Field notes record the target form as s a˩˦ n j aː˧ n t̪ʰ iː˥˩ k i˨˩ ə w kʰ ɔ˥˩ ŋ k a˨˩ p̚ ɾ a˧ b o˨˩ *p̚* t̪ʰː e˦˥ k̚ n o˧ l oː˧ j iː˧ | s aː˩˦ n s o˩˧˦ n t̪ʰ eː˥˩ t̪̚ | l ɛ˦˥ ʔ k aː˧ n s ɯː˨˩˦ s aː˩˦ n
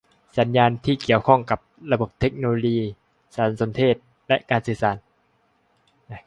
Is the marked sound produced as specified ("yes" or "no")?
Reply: yes